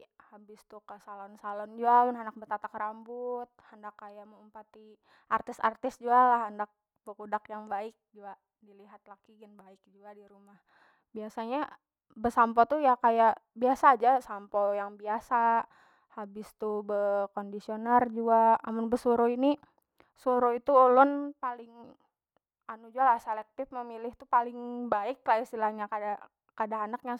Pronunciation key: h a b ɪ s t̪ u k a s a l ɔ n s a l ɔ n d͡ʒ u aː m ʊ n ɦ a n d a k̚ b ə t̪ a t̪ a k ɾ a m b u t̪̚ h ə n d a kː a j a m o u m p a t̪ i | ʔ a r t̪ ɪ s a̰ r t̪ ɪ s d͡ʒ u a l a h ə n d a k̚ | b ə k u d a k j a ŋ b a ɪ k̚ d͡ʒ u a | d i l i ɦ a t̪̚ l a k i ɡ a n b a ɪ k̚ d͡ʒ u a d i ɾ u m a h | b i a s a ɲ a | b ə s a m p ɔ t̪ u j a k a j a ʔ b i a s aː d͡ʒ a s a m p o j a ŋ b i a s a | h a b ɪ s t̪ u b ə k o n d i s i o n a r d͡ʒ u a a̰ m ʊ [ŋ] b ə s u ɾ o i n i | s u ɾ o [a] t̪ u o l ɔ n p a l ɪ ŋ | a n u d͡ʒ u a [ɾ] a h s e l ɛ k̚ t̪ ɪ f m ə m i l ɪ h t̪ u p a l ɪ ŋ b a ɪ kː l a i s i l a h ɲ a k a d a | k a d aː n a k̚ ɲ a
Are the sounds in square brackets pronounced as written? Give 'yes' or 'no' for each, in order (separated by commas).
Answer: no, no, no